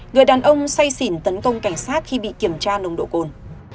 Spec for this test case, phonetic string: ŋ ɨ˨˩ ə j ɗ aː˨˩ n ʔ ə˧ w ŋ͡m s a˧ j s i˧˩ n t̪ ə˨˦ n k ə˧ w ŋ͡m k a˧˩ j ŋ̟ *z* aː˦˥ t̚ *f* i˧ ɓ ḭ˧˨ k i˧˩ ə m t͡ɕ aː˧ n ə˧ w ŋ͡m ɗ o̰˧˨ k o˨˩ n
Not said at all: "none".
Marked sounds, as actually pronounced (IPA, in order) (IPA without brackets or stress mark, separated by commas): s, x